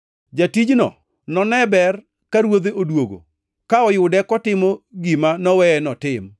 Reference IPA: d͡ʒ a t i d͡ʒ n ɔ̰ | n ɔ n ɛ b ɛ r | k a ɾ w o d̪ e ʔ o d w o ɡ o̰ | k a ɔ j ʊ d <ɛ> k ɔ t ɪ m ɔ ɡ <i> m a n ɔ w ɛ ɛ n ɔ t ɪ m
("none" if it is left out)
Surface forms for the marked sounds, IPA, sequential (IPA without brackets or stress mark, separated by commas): ɛ, i